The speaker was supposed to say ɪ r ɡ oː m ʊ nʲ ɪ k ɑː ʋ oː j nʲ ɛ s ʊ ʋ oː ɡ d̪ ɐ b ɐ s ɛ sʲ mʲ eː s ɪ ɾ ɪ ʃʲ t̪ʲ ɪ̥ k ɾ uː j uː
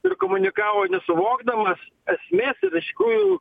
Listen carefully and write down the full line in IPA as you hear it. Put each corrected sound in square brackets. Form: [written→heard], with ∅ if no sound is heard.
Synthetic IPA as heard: ɪ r [ɡ→k] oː m ʊ nʲ ɪ k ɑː ʋ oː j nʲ ɛ s ʊ ʋ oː ɡ d̪ ɐ [b→m] ɐ s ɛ sʲ mʲ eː s ɪ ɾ ɪ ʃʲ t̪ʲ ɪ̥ k ɾ uː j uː